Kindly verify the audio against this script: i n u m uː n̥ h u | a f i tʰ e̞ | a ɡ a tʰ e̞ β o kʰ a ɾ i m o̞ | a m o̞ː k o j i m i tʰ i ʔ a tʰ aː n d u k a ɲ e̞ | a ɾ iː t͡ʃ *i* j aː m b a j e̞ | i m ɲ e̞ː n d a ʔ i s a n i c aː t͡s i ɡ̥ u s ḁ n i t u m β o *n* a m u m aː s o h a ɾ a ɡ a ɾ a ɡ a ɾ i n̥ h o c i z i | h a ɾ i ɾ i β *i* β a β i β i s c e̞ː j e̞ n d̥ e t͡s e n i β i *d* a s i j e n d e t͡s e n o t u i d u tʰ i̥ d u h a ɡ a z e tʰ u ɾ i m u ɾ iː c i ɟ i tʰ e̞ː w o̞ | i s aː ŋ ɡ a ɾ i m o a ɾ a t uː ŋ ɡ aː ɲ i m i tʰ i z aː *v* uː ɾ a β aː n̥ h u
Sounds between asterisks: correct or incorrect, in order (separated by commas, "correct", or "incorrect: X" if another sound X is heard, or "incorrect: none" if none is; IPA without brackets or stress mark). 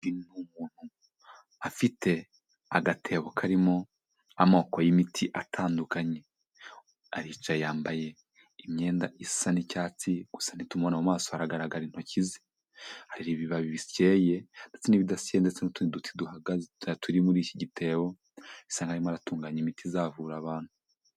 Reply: incorrect: a, correct, correct, correct, correct